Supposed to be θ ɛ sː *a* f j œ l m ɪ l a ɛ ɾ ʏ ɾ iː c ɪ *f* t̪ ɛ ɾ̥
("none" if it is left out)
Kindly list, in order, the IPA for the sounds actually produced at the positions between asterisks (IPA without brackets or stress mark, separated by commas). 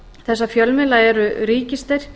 a, s